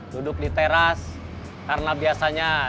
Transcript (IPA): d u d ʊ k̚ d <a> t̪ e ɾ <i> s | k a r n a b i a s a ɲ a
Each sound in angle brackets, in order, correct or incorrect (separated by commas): incorrect, incorrect